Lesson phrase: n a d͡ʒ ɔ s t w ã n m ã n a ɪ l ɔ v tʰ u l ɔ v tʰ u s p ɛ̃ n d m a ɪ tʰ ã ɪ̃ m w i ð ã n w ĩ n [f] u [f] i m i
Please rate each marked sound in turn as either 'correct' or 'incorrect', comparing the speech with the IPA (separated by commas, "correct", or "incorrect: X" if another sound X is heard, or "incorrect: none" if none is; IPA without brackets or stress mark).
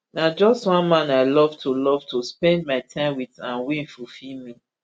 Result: correct, correct